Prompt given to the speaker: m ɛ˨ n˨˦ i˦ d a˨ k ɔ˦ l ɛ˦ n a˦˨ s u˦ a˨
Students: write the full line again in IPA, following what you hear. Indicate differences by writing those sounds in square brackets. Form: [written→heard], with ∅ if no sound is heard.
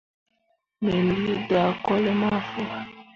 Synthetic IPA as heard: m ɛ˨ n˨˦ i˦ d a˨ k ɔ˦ l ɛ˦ [n→m] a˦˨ [s→f] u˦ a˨

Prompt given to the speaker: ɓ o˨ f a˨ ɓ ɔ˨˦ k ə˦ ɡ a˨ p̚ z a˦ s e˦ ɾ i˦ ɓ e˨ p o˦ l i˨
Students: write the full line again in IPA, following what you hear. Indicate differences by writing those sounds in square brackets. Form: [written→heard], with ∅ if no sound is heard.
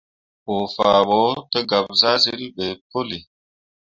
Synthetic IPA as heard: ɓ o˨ f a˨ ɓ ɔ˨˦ [k→t] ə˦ ɡ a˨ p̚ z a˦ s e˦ ɾ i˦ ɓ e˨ p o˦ l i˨

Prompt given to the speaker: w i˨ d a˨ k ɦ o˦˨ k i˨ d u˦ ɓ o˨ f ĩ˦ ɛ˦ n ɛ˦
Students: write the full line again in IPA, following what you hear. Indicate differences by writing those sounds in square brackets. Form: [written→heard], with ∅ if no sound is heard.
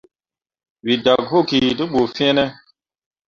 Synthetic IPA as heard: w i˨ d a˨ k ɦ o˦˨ k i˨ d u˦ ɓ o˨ f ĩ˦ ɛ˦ n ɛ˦

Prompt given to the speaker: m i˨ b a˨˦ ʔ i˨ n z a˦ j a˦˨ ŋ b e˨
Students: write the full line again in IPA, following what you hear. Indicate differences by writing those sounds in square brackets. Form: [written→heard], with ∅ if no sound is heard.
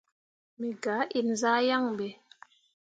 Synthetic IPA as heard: m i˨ [b→ɡ] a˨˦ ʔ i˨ n z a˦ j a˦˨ ŋ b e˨

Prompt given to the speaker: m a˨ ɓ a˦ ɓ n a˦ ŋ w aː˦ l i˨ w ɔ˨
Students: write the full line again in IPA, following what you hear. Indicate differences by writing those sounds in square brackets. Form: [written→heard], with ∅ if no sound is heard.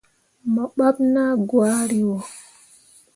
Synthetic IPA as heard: m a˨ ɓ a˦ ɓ n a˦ [ŋ→ɡ] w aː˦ [l→ɾ] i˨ w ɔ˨

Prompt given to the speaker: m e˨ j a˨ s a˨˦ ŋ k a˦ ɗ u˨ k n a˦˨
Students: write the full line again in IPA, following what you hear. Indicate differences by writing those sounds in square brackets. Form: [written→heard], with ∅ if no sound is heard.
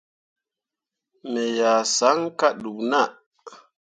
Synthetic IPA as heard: m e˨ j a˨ s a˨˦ ŋ k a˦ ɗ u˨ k n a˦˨

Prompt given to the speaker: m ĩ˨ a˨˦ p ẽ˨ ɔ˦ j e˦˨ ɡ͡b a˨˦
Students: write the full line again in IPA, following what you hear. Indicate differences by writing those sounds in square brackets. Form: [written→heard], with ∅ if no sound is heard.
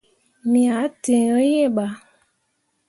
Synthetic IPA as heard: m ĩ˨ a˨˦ [p→t] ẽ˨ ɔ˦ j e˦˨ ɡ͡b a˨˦

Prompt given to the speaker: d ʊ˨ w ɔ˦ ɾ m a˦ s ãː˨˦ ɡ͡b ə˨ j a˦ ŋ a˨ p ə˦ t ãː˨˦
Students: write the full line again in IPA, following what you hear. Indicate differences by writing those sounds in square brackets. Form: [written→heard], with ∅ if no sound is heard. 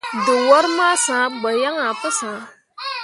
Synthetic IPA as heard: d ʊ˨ w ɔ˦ ɾ m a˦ s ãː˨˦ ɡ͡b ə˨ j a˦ ŋ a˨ p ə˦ [t→s] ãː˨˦

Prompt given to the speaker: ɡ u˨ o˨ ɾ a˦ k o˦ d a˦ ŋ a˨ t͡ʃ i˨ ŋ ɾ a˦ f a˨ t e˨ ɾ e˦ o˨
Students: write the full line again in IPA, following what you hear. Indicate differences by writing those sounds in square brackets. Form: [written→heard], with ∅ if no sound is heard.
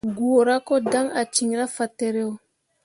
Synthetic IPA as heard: ɡ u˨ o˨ ɾ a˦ k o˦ d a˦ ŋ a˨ t͡ʃ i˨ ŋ ɾ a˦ f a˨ t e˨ ɾ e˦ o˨

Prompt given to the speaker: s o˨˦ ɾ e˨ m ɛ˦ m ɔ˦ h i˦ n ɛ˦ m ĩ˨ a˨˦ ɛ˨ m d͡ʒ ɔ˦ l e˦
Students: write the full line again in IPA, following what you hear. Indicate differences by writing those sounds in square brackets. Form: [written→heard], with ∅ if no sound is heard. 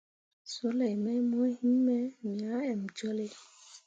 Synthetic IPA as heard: s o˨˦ [ɾ→l] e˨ m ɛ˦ m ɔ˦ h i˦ [n→m] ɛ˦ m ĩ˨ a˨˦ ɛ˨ m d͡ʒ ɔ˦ l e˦

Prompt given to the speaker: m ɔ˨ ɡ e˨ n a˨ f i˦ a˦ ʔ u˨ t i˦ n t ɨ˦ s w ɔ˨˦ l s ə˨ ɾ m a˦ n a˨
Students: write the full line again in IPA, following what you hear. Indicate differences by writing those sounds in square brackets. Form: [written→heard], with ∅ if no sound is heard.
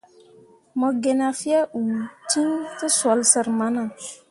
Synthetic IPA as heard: m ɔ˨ ɡ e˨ n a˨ f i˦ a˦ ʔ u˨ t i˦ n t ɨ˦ s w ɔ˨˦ l s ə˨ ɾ m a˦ n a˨

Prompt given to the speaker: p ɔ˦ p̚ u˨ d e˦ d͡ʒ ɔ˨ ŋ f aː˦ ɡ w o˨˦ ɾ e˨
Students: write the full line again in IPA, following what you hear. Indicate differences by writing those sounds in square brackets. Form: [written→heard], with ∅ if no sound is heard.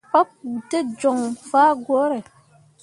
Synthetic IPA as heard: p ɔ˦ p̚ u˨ [d→t] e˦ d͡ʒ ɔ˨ ŋ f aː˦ ɡ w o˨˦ ɾ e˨

